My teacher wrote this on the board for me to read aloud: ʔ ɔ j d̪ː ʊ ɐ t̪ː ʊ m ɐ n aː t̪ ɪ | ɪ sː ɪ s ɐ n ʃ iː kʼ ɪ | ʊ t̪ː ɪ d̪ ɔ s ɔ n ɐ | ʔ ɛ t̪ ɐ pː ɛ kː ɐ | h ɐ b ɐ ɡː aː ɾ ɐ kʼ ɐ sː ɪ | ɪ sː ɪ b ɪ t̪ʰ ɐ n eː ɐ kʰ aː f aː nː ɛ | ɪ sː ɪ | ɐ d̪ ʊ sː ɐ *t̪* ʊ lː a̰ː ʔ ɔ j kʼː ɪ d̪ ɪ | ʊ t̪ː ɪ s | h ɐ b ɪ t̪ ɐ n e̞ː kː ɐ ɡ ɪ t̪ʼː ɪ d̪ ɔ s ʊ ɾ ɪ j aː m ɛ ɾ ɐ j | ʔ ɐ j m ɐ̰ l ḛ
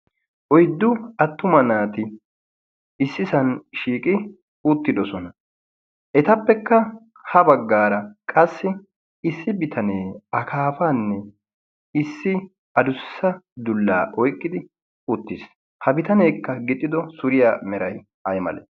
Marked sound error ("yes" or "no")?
yes